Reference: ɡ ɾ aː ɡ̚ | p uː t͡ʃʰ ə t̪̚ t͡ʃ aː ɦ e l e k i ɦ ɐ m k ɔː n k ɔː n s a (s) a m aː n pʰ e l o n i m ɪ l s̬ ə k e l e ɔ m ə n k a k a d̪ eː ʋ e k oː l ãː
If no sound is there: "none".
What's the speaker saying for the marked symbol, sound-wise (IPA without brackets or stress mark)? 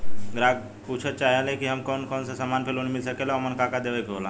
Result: s